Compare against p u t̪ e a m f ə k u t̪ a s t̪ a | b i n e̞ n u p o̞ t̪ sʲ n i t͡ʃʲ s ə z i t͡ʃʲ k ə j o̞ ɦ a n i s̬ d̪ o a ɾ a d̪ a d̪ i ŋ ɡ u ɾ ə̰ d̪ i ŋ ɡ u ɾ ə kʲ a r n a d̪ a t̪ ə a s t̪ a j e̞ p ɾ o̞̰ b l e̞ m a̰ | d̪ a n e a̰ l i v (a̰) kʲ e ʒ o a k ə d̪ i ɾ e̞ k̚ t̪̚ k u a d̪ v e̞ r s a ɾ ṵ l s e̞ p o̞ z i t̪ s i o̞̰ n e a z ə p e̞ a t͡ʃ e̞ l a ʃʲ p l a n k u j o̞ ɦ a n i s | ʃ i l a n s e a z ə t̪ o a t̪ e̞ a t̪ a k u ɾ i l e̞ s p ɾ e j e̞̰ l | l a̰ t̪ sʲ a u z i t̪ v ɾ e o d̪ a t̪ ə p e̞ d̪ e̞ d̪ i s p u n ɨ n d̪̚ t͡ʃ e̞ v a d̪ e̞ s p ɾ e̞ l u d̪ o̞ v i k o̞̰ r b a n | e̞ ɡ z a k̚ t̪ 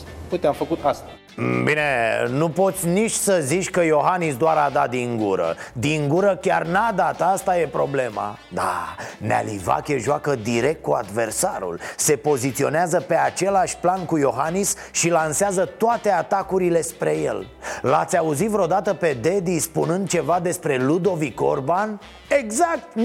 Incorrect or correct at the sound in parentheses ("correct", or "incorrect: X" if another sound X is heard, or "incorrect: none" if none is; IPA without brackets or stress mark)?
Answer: correct